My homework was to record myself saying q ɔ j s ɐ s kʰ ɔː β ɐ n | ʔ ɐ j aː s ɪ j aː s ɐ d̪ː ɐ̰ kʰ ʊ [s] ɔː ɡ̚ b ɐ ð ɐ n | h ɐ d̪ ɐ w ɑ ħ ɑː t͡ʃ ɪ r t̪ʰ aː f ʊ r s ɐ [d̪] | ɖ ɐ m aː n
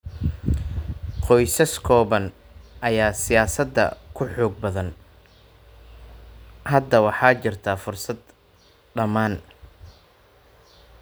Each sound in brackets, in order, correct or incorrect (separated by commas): incorrect, correct